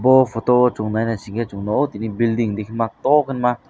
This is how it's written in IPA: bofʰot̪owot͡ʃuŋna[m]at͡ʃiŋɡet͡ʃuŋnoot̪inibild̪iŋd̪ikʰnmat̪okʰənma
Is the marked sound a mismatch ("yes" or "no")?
yes